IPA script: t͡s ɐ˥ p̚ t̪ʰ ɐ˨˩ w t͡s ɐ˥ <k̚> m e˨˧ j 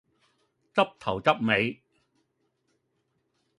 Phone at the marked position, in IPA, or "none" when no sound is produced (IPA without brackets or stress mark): p̚